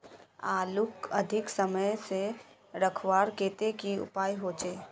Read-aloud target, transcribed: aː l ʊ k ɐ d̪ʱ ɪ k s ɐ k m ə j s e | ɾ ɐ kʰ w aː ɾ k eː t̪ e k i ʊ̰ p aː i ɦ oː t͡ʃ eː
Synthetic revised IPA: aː l ʊ k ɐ d̪ʱ ɪ k s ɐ m ə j s e | ɾ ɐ kʰ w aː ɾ k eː t̪ e k i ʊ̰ p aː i ɦ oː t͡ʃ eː